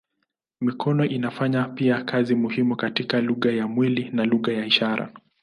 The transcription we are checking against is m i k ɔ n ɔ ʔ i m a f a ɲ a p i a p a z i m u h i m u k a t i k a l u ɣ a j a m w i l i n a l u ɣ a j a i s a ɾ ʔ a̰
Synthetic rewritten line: m i k ɔ n ɔ ʔ i n a f a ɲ a p i a k a z i m u h i m u k a t i k a l u ɣ a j a m w i l i n a l u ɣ a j a i ʃ a ɾ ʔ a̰